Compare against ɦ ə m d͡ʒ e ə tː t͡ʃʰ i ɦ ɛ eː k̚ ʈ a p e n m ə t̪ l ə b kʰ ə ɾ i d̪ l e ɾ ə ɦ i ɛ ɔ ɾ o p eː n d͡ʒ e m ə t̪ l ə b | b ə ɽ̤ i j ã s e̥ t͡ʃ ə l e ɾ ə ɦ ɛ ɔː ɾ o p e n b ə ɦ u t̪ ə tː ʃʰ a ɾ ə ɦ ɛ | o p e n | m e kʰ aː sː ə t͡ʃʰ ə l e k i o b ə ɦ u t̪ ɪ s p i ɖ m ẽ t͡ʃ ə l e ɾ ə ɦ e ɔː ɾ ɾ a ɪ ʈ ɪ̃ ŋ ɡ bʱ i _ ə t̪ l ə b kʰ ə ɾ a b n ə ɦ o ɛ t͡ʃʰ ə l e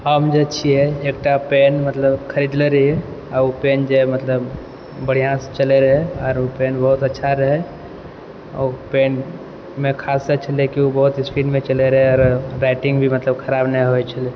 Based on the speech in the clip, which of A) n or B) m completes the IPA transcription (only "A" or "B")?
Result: B